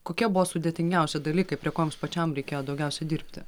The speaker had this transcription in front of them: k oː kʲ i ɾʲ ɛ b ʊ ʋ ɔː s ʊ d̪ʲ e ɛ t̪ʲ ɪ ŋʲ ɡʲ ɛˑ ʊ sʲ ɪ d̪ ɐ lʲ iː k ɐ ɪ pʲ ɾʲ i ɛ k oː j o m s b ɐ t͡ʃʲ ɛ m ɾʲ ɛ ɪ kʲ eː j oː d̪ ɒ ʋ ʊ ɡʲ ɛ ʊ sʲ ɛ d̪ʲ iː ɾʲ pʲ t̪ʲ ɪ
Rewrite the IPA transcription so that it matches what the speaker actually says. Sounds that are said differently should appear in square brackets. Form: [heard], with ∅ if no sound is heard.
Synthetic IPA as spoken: k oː kʲ i [∅] ɛ b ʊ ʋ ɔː s ʊ d̪ʲ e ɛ t̪ʲ ɪ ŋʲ ɡʲ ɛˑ ʊ sʲ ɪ d̪ ɐ lʲ iː k ɐ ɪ pʲ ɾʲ i ɛ k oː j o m s [p] ɐ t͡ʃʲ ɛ m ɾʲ ɛ ɪ kʲ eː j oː d̪ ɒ [∅] ʊ ɡʲ ɛ ʊ sʲ ɛ d̪ʲ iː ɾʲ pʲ t̪ʲ ɪ